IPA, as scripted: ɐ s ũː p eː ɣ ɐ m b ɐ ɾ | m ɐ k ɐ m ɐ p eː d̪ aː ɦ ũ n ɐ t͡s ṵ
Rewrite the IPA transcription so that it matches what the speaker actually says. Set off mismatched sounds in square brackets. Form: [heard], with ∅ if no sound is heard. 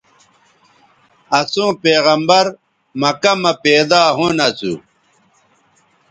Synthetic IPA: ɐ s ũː p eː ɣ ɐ m b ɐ ɾ | m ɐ k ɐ m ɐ p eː d̪ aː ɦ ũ n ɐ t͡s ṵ